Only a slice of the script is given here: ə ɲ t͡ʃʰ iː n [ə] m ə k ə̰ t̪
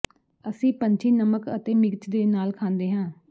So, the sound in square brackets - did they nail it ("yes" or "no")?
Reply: yes